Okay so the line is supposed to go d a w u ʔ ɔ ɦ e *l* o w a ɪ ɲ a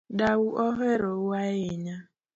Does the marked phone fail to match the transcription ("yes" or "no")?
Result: yes